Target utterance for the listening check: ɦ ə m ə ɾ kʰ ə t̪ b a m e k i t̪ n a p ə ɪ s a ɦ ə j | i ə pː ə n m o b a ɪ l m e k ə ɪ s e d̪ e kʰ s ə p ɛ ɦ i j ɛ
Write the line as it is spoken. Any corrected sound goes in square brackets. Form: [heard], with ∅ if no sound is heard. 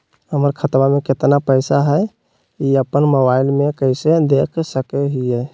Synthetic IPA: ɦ ə m ə ɾ kʰ ə t̪ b a m e k [e] t̪ n a p ə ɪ s a ɦ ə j | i ə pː ə n m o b a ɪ l m e k ə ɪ s e d̪ e kʰ s ə [k] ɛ ɦ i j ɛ